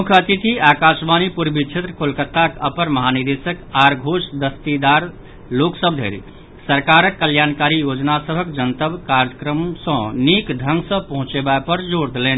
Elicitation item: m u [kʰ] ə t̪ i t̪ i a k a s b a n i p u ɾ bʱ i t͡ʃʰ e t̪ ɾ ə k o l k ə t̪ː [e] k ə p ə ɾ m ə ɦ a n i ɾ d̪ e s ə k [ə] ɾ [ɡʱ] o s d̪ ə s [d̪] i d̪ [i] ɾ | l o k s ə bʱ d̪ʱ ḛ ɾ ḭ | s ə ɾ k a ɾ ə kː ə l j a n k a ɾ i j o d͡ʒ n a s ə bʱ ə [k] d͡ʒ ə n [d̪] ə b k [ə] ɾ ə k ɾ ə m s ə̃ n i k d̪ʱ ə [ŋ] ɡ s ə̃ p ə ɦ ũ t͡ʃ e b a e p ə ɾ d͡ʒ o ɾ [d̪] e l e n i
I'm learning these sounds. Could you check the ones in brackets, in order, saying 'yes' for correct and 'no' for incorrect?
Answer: yes, no, no, yes, no, no, yes, no, no, yes, yes

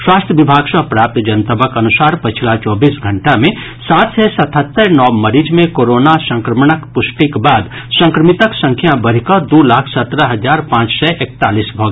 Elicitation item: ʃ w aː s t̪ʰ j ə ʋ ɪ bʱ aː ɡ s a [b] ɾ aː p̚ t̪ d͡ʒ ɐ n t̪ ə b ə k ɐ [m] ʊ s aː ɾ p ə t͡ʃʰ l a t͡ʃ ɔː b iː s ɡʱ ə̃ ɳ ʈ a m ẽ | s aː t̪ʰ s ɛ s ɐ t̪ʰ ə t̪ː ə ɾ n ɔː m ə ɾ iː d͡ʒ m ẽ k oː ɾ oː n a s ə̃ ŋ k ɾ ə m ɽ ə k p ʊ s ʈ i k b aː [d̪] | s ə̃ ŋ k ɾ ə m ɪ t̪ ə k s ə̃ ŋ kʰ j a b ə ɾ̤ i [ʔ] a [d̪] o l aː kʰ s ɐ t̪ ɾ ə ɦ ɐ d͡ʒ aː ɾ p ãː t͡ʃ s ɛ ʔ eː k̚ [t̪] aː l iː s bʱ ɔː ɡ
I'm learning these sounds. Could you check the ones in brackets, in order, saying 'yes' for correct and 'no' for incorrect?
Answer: no, no, yes, no, yes, yes

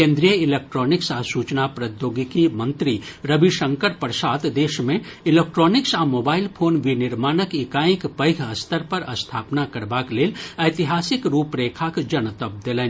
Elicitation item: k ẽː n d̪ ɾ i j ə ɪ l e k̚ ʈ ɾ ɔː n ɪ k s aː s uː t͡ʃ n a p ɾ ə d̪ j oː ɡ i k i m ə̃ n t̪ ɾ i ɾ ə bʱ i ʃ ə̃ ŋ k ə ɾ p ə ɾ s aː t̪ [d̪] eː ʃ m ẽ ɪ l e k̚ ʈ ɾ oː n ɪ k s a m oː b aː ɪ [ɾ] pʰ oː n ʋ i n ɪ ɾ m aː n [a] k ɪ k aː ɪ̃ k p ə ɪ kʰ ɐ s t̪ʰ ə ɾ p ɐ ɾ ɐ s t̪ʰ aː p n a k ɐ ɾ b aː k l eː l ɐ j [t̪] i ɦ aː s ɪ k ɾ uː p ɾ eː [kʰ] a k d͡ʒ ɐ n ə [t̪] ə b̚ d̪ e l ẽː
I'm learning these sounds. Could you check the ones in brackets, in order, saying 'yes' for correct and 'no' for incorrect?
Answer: yes, no, no, yes, yes, yes

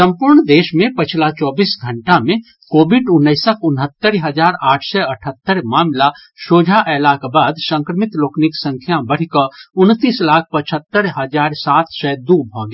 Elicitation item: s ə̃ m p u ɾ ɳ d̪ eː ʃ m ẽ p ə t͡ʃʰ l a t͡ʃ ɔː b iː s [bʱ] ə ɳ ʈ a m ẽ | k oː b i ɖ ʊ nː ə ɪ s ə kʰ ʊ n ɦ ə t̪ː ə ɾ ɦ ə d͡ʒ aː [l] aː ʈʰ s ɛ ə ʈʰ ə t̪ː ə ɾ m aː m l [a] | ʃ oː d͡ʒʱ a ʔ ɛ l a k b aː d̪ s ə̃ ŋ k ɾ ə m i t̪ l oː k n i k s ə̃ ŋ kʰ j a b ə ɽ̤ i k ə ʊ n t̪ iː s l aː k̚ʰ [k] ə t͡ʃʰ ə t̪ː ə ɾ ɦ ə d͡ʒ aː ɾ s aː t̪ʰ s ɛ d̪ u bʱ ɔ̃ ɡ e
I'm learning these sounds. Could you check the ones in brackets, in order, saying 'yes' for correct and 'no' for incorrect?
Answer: no, no, yes, no

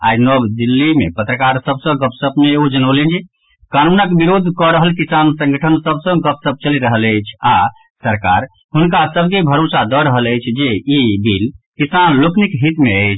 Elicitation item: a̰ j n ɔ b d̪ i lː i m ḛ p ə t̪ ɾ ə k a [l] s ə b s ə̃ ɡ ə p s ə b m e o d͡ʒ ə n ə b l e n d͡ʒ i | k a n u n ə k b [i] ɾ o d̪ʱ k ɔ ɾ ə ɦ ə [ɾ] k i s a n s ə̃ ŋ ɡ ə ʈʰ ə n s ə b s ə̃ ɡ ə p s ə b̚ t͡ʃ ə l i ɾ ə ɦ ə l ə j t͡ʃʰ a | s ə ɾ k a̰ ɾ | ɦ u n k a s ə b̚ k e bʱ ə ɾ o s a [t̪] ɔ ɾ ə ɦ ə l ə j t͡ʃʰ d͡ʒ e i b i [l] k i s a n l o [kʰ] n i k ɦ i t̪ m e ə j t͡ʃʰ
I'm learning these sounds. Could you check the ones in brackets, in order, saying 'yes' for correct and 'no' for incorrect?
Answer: no, yes, no, no, yes, no

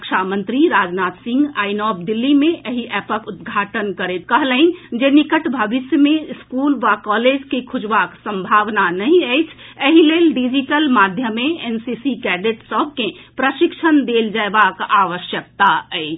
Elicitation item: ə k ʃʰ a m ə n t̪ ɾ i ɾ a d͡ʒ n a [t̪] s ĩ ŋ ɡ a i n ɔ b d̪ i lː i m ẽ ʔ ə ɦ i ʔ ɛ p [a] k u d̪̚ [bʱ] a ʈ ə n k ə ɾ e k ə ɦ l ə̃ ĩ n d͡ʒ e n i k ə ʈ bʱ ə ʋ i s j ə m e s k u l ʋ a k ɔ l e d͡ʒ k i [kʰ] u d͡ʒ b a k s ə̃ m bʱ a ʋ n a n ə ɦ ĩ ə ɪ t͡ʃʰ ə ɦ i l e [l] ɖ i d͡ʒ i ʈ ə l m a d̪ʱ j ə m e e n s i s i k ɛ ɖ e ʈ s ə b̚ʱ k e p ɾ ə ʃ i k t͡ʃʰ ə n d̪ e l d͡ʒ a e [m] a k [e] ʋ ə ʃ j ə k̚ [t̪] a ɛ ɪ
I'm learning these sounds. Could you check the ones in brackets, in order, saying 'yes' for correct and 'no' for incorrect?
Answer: yes, no, no, yes, yes, no, no, yes

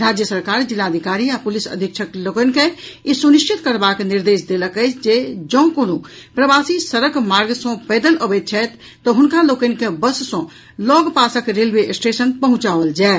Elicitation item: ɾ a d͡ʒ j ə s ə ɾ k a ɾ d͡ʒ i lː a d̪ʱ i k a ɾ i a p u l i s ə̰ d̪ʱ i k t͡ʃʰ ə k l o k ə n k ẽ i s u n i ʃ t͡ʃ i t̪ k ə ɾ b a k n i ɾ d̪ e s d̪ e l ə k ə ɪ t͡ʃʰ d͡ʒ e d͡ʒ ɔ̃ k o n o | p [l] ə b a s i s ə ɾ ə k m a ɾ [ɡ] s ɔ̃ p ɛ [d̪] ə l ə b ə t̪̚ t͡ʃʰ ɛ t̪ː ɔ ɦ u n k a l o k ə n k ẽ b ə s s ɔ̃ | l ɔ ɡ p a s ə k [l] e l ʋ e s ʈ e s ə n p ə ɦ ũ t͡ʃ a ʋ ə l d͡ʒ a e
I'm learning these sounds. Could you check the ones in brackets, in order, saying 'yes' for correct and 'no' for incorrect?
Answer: no, yes, yes, no

